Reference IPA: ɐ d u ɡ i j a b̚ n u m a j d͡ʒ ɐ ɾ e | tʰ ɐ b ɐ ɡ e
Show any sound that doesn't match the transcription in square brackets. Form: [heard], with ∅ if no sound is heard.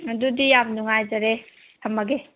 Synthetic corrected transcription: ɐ d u [d] i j a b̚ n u [ŋ] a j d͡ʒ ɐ ɾ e | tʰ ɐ [m] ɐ ɡ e